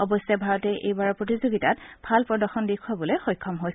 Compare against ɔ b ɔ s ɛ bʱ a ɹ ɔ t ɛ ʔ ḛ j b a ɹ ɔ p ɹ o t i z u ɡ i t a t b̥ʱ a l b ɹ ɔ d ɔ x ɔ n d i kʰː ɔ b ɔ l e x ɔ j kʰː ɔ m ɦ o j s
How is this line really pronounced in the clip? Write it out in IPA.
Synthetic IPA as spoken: ɔ b ɔ s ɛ bʱ a ɹ ɔ t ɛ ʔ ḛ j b a ɹ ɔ p ɹ o t i z o ɡ i t a t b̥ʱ a l p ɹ ɔ d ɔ x ɔ n d i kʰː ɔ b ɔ l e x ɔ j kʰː ɔ m ɦ o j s